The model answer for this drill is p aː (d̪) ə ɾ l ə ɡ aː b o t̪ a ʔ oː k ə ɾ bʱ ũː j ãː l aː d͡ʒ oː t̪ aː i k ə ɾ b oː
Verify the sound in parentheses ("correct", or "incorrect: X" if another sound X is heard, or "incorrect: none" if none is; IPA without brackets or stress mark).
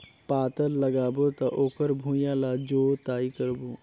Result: incorrect: t̪